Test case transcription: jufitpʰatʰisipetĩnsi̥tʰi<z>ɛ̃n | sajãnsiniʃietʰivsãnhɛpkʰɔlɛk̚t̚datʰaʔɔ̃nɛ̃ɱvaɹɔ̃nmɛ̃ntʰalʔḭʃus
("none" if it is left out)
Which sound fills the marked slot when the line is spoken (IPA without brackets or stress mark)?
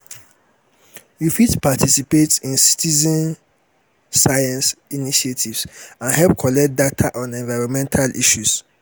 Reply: z